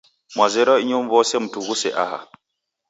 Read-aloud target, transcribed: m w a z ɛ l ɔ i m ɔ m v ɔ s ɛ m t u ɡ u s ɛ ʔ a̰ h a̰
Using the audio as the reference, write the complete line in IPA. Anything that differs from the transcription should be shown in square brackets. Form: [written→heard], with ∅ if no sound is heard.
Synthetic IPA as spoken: m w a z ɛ [l→ɾ] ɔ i [m→ɲ] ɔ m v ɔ s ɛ m t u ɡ u s ɛ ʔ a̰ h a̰